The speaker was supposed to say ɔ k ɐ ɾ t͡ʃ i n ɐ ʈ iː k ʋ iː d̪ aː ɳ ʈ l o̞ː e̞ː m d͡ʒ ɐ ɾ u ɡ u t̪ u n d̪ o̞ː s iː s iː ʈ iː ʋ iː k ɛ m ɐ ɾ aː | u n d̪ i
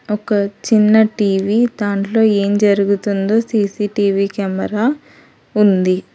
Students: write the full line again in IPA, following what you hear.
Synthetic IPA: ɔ k ɐ t͡ʃ i nː ɐ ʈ iː ʋ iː d̪ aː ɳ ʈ l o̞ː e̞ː m d͡ʒ ɐ ɾ u ɡ u t̪ u n d̪ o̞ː s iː s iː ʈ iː ʋ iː k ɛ m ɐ ɾ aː | u n d̪ i